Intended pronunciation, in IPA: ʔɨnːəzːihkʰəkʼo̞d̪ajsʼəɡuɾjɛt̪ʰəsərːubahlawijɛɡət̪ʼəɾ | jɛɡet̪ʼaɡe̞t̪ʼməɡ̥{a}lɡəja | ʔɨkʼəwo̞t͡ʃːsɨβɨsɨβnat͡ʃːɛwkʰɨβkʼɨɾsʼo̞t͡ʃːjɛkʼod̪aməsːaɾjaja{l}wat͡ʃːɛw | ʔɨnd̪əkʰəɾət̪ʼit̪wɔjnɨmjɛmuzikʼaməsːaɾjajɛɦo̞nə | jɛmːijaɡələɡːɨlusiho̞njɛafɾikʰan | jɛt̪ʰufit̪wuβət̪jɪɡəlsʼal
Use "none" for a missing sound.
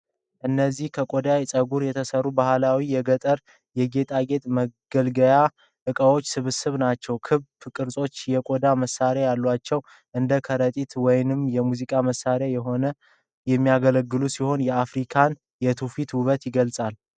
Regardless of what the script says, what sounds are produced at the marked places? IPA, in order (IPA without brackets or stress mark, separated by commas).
ə, lː